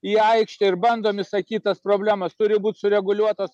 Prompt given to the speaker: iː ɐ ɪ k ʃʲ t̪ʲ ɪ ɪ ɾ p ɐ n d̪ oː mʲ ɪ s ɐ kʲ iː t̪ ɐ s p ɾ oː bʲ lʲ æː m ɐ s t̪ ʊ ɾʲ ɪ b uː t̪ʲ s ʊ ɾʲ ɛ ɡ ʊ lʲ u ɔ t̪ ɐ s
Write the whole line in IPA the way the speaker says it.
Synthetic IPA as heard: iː ɐ ɪ k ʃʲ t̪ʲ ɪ ɪ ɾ b ɐ n d̪ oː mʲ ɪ s ɐ kʲ iː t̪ ɐ s p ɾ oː bʲ lʲ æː m ɐ s t̪ ʊ ɾʲ ɪ b uː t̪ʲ s ʊ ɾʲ ɛ ɡ ʊ lʲ u ɔ t̪ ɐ s